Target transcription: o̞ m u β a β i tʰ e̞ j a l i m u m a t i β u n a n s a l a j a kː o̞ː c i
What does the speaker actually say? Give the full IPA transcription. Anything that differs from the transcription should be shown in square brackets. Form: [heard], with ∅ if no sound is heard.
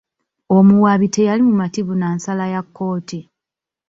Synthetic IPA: o̞ m u [w] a β i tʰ e̞ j a l i m u m a t i β u n a n s a l a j a kː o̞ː [t] i